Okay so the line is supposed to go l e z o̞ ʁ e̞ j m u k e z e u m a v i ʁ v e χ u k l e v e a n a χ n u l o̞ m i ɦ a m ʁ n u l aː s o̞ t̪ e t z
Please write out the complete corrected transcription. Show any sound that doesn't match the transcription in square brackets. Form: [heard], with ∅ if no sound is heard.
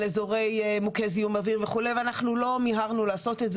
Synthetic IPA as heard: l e z o̞ ʁ e̞ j m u k e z [i] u m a v i ʁ v e χ u [∅] l e v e a n a χ n u l o̞ m i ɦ a [∅] ʁ n u l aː s o̞ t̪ e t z

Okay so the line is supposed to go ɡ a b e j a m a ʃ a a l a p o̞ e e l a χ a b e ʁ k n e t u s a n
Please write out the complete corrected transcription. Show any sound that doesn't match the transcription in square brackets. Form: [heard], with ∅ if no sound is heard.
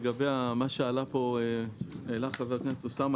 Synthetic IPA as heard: ɡ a b e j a m a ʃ [e] a l a p o̞ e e l a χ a [v] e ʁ k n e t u s a [m]

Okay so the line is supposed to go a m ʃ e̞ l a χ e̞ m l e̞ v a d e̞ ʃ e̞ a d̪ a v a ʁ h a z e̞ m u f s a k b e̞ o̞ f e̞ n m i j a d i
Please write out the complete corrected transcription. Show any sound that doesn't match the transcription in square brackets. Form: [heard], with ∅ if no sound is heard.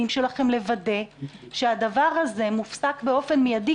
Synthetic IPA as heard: [i] m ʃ e̞ l a χ e̞ m l e̞ v a d e̞ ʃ e̞ a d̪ a v a ʁ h a z e̞ m u f s a k b e̞ o̞ f e̞ n m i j a d i

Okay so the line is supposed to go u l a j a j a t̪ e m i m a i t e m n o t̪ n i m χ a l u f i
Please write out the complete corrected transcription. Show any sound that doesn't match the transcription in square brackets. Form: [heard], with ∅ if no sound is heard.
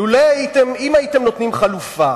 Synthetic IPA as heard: u l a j a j [i] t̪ e m i m a i t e m n o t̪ n i m χ a l u f [a]

